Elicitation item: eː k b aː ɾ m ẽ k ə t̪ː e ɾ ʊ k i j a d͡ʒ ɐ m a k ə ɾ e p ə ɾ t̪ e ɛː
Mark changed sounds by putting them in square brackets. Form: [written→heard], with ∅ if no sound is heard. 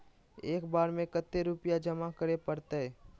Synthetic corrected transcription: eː k b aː ɾ m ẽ k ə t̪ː e ɾ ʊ [k→p] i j a d͡ʒ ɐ m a k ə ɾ e p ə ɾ t̪ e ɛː